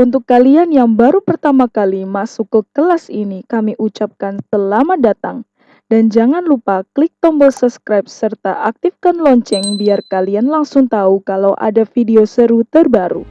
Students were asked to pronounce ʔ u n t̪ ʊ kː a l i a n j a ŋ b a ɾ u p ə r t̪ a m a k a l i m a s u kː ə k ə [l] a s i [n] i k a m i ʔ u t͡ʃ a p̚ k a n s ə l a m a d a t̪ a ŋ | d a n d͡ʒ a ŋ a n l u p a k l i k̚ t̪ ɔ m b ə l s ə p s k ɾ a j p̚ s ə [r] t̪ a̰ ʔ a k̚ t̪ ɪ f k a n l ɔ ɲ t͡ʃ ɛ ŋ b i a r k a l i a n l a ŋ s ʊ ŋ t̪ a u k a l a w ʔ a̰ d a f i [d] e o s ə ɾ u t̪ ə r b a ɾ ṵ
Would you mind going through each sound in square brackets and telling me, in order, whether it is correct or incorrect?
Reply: correct, correct, correct, correct

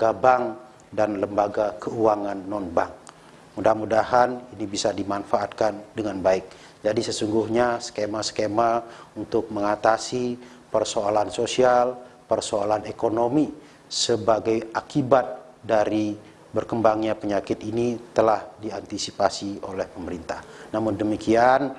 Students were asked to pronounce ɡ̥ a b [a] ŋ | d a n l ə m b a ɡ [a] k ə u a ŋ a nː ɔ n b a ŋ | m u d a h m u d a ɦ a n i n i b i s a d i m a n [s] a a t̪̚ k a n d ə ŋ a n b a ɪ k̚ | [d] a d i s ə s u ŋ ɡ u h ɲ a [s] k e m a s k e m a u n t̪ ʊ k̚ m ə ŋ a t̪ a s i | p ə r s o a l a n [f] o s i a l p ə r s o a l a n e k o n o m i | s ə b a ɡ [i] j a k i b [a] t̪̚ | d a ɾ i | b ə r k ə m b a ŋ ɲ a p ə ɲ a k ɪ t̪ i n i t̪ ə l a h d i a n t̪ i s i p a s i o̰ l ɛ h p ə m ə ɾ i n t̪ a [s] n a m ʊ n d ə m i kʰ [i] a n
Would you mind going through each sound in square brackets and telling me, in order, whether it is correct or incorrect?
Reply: correct, correct, incorrect, incorrect, correct, incorrect, incorrect, correct, incorrect, correct

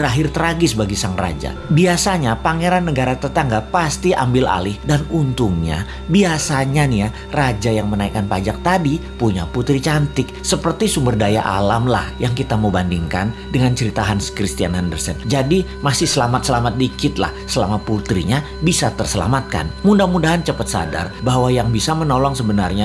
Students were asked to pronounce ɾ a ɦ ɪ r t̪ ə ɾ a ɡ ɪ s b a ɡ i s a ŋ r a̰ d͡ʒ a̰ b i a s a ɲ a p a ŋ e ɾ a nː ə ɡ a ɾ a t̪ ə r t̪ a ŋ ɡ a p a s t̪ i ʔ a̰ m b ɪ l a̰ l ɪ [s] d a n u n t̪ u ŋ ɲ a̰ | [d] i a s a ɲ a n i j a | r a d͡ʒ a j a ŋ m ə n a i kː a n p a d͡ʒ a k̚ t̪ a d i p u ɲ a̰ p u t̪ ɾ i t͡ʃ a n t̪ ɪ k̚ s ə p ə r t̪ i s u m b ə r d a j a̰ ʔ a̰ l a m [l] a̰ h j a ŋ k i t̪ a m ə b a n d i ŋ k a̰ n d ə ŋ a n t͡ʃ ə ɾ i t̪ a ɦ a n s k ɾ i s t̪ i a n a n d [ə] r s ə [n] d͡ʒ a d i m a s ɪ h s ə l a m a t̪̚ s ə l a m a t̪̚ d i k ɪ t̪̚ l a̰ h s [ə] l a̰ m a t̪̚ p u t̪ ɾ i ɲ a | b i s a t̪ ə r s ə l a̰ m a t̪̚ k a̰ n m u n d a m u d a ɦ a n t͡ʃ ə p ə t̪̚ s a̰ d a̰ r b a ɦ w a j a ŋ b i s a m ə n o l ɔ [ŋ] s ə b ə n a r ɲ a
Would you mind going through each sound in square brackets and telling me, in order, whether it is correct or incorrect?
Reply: incorrect, incorrect, correct, correct, correct, correct, correct

